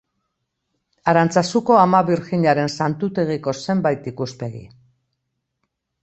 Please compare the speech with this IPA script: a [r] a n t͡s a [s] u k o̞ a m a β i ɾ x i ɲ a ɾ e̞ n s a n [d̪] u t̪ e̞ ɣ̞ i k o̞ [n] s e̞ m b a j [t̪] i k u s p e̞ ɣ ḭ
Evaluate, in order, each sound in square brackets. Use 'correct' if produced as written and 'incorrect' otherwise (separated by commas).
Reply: incorrect, correct, incorrect, incorrect, correct